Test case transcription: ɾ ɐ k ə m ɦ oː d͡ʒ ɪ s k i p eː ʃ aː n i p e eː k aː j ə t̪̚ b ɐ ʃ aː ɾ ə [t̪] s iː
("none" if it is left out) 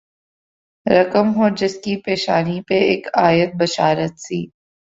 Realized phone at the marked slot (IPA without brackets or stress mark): t̪